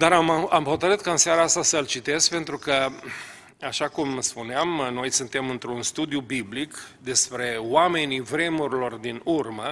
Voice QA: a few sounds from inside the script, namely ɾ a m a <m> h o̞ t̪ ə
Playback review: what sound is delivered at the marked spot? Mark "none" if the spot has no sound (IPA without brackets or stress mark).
m